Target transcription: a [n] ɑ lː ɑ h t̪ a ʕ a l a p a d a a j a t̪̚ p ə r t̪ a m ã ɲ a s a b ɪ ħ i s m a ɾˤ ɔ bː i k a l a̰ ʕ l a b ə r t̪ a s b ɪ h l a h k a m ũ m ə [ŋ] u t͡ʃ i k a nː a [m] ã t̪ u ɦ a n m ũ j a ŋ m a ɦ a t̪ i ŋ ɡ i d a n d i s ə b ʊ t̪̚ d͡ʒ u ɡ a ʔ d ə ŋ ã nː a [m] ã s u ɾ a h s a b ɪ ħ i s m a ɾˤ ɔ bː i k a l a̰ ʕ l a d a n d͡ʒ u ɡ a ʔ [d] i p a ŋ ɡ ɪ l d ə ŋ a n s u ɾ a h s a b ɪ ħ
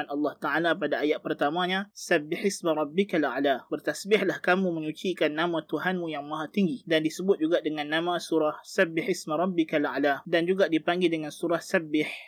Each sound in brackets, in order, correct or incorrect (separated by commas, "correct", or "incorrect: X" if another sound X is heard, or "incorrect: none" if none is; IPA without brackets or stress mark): correct, incorrect: ɲ, correct, correct, correct